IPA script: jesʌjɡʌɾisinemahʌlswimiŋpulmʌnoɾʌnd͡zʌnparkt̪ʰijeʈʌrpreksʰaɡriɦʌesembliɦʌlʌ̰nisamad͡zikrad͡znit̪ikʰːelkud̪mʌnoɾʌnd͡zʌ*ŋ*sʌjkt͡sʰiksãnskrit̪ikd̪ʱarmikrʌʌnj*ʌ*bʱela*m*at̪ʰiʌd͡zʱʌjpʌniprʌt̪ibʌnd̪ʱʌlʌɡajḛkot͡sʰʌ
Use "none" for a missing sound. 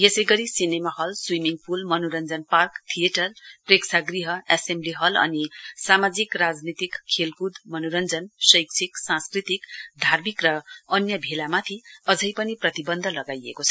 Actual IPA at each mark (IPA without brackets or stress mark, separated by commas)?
n, ʌ, m